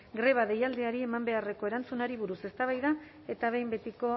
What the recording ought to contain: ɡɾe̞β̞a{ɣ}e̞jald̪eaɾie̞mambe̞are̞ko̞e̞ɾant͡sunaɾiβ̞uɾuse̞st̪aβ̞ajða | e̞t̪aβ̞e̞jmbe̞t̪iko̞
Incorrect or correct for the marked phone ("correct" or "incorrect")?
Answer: incorrect